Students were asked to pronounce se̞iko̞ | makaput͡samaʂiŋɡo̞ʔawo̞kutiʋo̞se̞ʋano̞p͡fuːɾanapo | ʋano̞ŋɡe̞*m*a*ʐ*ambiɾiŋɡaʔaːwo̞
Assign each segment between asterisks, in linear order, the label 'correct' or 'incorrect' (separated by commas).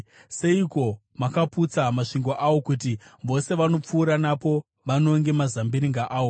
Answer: correct, incorrect